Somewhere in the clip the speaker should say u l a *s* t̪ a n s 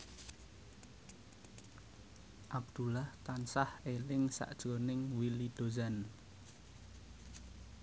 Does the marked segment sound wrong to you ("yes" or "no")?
yes